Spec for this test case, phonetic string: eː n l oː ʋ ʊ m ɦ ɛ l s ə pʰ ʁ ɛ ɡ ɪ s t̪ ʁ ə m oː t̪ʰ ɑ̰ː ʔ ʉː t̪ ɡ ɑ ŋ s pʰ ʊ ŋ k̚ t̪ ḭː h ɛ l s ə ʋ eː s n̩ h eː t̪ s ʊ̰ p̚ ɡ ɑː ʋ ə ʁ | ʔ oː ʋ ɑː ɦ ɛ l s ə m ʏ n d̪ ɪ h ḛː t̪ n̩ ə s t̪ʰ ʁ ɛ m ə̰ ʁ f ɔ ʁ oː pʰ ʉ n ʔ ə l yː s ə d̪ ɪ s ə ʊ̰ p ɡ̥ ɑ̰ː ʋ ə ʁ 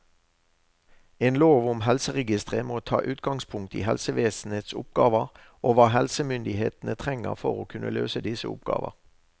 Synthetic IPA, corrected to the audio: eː n l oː ʋ ʊ m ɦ ɛ l s ə ʁ ɛ ɡ ɪ s t̪ ʁ ə m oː t̪ʰ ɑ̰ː ʔ ʉː t̪ ɡ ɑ ŋ s pʰ ʊ ŋ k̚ t̪ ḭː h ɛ l s ə ʋ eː s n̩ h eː t̪ s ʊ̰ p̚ ɡ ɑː ʋ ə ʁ | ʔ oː ʋ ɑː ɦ ɛ l s ə m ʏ n d̪ ɪ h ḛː t̪ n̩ ə t̪ʰ ʁ ɛ ŋ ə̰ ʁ f ɔ ʁ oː kʰ ʉ n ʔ ə l øː s ə d̪ ɪ s ə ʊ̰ p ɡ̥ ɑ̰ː ʋ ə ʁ